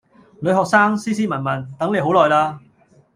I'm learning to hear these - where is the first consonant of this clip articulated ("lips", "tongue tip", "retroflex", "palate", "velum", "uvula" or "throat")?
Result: tongue tip